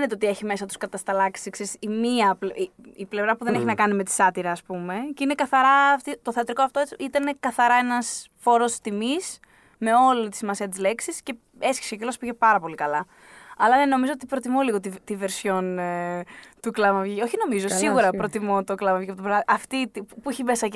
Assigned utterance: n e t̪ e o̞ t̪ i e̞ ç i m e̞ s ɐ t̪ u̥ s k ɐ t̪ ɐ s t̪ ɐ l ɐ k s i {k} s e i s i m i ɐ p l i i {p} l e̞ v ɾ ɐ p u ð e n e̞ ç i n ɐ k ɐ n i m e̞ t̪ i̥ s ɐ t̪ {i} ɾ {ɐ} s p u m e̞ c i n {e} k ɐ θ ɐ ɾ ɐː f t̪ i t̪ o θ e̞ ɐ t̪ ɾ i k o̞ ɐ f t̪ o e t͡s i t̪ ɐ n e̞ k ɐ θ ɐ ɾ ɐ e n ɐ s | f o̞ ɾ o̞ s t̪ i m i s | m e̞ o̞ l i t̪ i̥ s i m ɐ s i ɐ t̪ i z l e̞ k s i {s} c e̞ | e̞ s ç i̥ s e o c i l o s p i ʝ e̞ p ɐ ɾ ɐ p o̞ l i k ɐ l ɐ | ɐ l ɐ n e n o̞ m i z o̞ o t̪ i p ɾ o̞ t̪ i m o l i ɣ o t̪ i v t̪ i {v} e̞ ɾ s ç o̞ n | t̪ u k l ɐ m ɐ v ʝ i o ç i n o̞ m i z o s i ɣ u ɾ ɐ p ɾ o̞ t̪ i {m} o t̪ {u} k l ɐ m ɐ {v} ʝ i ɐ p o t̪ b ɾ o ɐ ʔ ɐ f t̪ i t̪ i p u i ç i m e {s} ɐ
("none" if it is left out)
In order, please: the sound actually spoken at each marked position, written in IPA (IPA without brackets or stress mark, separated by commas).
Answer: k, p, i, ɐː, e, s, v, m, o, v, s